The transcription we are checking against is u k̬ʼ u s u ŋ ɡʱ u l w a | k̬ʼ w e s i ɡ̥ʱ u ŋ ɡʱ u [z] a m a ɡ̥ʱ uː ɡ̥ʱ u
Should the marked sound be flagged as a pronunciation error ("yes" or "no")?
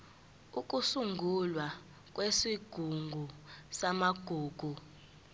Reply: yes